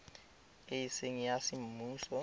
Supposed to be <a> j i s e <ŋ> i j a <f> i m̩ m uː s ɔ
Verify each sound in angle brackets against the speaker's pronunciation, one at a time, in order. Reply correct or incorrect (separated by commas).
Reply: incorrect, correct, incorrect